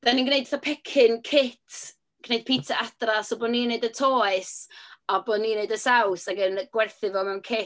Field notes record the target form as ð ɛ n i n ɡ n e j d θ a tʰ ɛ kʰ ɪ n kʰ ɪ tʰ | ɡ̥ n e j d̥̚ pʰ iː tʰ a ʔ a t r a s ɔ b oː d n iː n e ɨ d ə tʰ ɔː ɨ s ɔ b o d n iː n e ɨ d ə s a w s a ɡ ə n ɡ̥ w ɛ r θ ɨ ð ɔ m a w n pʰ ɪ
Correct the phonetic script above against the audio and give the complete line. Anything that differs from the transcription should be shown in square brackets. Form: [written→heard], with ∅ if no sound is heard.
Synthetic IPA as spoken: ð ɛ n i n ɡ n e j d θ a [tʰ→pʰ] ɛ kʰ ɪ n kʰ ɪ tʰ | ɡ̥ n e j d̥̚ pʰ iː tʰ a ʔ a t r a s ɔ b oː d n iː n e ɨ d ə tʰ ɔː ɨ s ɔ b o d n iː n e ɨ d ə s a w s a ɡ ə n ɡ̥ w ɛ r θ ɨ [ð→v] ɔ m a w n [pʰ→kʰ] ɪ